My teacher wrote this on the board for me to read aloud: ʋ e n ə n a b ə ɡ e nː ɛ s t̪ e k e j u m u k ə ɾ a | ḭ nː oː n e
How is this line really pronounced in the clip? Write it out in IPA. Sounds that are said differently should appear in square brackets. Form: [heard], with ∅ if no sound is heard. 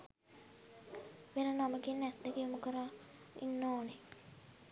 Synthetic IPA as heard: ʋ e n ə n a [m] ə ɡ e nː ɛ s [d̪] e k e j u m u k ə ɾ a | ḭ nː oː n e